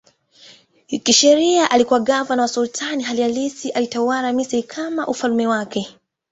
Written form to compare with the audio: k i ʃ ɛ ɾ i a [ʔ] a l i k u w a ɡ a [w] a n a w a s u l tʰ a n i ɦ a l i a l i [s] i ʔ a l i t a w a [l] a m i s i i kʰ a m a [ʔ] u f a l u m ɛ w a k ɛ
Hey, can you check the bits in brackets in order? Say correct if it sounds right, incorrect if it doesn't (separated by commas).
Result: correct, incorrect, correct, incorrect, correct